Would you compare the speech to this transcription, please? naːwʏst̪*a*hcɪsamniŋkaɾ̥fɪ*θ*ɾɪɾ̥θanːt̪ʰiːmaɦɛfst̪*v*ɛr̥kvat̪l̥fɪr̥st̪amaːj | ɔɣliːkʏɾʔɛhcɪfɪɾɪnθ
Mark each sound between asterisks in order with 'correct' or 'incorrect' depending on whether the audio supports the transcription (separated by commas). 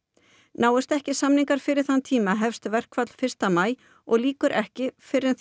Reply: incorrect, incorrect, correct